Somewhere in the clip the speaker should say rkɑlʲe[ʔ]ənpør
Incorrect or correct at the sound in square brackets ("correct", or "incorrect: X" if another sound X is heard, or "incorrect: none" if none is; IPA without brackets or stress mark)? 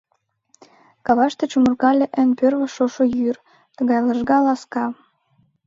correct